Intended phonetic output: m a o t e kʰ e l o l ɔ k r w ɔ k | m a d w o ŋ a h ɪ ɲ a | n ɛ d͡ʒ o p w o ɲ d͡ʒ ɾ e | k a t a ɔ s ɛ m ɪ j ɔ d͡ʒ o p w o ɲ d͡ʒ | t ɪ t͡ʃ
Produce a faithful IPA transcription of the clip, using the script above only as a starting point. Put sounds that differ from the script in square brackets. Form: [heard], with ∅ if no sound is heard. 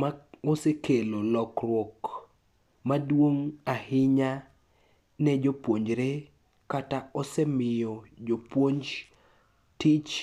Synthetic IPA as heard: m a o [s] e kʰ e l o l ɔ k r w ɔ k | m a d w o ŋ a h ɪ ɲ a | n ɛ d͡ʒ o p w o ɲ d͡ʒ ɾ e | k a t a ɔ s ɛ m ɪ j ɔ d͡ʒ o p w o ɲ d͡ʒ | t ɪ t͡ʃ

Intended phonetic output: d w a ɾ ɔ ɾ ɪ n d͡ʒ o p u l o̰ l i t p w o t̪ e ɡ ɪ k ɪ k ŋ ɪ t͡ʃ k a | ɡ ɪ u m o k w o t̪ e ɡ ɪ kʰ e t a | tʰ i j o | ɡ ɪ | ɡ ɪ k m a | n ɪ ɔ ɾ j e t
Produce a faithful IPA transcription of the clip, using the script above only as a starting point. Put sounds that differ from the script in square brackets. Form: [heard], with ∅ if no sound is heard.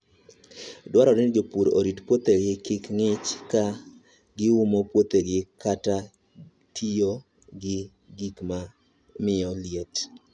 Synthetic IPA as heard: d w a ɾ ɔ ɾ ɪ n d͡ʒ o p u [ɾ] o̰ [ɾ] i t p w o t̪ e ɡ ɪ k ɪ k ŋ ɪ t͡ʃ k a | ɡ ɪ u m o [p] w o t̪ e ɡ ɪ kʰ [a] t a | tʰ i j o | ɡ ɪ | ɡ [i] k m a | [m] ɪ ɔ [l] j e t

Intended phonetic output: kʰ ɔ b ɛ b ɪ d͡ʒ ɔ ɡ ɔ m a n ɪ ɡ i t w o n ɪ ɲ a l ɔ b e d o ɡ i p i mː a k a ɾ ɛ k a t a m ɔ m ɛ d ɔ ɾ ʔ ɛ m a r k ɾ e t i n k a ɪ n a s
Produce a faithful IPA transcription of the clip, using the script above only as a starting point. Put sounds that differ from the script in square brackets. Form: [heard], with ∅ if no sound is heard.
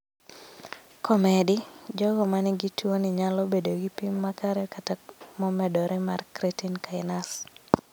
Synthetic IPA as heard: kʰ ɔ [m] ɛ [d] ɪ d͡ʒ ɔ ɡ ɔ m a n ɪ ɡ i t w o n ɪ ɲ a l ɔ b e d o ɡ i p i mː a k a ɾ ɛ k a t a m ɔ m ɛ d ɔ ɾ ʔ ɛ m a r k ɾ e t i n k a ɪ n a s

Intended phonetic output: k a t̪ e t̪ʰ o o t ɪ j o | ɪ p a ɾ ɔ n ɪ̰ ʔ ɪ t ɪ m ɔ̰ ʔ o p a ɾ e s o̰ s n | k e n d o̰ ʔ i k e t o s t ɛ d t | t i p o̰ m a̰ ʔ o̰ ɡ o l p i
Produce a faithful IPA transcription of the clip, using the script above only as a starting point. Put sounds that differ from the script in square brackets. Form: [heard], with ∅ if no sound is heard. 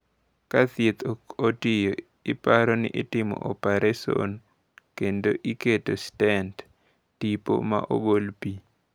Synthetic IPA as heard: k a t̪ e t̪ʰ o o t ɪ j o | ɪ p a ɾ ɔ n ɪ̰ ʔ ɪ t ɪ m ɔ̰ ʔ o p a ɾ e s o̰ [∅] n | k e n d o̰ ʔ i k e t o s t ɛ [n] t | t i p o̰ m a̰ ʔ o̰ ɡ o l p i

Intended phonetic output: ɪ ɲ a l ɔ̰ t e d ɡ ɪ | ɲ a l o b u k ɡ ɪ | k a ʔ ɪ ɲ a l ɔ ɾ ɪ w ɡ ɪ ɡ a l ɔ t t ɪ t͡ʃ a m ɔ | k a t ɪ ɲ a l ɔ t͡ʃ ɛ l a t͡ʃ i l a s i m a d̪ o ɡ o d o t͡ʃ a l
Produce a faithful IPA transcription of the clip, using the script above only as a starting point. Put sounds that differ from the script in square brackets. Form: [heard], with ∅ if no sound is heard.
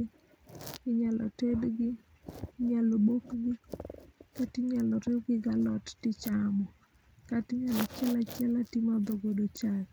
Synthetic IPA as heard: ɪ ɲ a l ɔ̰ t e d ɡ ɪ | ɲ a l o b [o] k ɡ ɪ | k a [t] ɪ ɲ a l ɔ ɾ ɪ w ɡ ɪ ɡ a l ɔ t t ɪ t͡ʃ a m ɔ | k a t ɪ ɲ a l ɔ t͡ʃ ɛ l a t͡ʃ [ɛ] l a [t] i m a d̪ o ɡ o d o t͡ʃ a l

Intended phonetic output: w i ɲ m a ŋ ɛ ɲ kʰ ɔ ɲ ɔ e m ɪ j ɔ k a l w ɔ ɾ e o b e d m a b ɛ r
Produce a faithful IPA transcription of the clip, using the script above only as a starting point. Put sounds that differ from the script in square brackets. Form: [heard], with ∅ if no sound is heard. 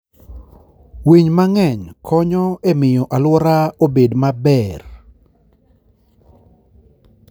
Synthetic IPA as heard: w i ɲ m a ŋ ɛ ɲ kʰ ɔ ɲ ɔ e m ɪ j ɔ [ʔ] a l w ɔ ɾ [a] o b e d m a b ɛ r

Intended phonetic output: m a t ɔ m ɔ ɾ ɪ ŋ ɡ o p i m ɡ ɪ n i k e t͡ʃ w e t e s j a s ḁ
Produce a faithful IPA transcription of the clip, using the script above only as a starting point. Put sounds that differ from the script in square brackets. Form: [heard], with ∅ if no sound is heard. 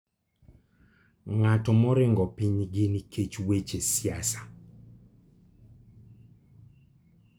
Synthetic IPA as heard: [ŋ] a t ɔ m ɔ ɾ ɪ ŋ ɡ [ɔ] p i [ɲ] ɡ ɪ n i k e t͡ʃ w e [t͡ʃ] e s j a s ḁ

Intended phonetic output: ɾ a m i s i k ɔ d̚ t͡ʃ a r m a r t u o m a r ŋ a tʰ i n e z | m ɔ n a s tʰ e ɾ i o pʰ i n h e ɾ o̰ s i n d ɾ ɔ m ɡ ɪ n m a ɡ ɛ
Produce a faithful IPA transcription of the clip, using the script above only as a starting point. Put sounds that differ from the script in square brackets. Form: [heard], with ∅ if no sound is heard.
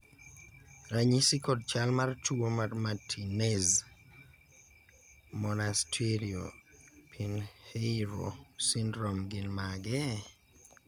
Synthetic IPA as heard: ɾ a [ɲ] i s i k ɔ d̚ t͡ʃ a [l] m a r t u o m a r [m] a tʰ i n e z | m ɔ n a s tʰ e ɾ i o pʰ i n h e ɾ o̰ s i n d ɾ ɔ m ɡ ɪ n m a ɡ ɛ

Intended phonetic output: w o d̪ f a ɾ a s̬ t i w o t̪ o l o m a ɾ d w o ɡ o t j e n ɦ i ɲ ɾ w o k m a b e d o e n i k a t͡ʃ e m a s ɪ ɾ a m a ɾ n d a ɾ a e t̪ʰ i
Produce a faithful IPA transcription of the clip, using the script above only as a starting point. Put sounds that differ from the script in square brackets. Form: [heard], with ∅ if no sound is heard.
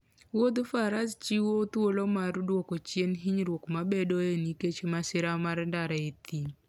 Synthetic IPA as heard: w o d̪ f a ɾ a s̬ [t͡ʃ] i w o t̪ o l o m a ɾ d w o [k] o [t͡ʃ] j e n ɦ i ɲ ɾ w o k m a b e d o e n i k [e] t͡ʃ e m a s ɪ ɾ a m a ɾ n d a ɾ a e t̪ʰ i

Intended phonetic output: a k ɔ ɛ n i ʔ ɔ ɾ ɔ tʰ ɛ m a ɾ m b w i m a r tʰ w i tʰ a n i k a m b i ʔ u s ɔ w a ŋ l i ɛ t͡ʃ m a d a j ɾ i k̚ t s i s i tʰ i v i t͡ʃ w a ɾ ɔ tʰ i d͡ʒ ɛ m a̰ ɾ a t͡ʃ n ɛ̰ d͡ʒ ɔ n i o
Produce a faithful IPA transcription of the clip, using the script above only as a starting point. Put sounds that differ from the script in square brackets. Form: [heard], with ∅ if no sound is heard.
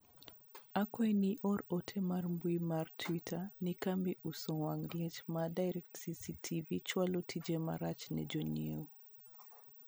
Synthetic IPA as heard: a k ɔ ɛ n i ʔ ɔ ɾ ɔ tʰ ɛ m a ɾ m b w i m a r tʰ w i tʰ a n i k a m b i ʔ u s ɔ w a ŋ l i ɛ t͡ʃ m a d a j ɾ [ɛ] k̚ t s i s i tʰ i v i t͡ʃ w a [l] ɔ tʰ i d͡ʒ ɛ m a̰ ɾ a t͡ʃ n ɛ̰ d͡ʒ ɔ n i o

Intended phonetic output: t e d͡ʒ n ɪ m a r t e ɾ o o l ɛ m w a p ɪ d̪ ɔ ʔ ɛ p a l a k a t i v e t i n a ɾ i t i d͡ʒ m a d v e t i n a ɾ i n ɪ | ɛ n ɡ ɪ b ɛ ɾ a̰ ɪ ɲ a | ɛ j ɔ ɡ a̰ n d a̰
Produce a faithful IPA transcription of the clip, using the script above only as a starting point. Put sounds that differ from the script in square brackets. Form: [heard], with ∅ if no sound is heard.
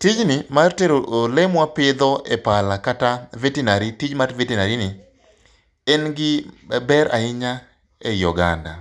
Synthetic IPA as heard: t [i] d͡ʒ n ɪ m a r t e ɾ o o l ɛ m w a p ɪ d̪ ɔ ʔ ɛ p a l a k a t [a] v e t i n a ɾ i t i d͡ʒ m a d v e t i n a ɾ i n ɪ | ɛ n ɡ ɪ b ɛ ɾ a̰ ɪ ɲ a | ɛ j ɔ ɡ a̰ n d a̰

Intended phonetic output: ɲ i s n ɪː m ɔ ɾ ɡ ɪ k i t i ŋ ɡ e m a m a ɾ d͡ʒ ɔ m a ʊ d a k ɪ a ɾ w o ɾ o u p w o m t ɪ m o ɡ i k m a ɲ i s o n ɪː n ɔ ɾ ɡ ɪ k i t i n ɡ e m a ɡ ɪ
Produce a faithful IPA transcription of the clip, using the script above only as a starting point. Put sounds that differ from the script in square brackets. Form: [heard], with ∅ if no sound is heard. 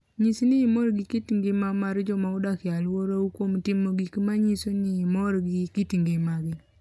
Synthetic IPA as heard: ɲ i s n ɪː m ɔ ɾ ɡ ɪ k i t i ŋ ɡ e m a m a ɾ d͡ʒ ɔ m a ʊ d a k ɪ a [l] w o ɾ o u [k] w o m t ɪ m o ɡ i k m a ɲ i s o n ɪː [m] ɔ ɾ ɡ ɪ k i t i [ŋ] ɡ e m a ɡ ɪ

